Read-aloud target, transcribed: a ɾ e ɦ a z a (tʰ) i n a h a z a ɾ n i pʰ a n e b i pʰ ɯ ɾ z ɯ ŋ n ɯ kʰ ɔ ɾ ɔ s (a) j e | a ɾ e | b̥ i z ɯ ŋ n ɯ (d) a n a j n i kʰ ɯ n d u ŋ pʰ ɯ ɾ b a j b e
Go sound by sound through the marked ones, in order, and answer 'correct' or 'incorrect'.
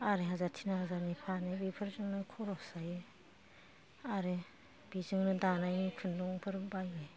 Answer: correct, correct, correct

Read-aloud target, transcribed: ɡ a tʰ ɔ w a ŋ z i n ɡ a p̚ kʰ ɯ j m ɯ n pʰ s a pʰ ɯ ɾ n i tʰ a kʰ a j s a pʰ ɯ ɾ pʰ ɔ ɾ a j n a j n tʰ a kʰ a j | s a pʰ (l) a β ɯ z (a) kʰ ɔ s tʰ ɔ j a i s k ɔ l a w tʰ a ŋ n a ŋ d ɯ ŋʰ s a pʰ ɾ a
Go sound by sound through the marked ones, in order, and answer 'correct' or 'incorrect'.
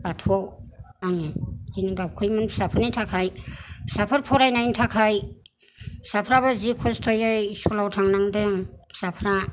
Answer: incorrect: ɾ, incorrect: i

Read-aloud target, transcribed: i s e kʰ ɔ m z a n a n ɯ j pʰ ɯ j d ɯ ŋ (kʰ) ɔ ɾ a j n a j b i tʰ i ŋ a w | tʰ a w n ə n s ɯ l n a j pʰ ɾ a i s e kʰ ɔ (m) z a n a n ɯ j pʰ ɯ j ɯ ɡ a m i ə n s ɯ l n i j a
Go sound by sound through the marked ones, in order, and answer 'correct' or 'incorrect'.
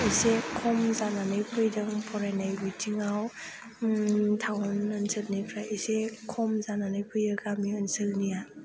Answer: incorrect: pʰ, correct

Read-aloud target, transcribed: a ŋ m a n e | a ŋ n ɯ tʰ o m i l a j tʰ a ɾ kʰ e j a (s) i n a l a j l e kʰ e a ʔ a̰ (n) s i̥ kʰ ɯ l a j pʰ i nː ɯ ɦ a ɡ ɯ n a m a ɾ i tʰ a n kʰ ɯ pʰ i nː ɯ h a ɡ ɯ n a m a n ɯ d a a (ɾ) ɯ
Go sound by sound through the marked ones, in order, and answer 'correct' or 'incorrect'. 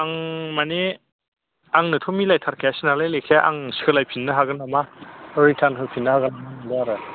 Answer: correct, incorrect: ŋ, correct

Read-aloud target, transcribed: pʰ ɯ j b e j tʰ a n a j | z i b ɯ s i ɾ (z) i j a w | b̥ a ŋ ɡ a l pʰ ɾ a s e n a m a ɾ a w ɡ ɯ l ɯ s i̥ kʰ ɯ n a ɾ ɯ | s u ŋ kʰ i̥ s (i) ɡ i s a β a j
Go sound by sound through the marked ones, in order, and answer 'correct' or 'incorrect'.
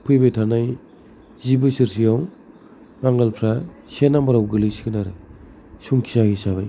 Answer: incorrect: s, incorrect: a

